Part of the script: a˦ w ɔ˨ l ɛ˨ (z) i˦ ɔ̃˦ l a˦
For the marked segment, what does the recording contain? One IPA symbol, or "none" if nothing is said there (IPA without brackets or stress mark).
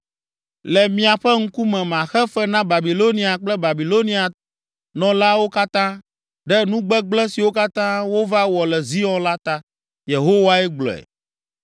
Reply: z